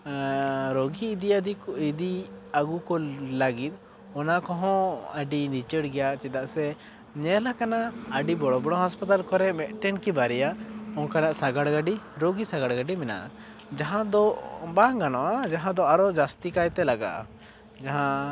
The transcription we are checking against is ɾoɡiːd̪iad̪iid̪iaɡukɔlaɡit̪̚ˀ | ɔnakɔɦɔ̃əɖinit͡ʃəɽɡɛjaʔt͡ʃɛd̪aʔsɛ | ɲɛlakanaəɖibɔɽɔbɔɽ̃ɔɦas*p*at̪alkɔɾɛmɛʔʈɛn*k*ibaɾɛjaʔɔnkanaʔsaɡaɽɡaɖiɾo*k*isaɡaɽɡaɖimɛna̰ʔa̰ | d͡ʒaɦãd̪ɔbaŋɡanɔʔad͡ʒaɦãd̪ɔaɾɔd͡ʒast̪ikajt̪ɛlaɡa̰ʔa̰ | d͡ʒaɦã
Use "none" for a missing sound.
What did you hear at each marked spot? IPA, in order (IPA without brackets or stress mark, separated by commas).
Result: p, k, ɡ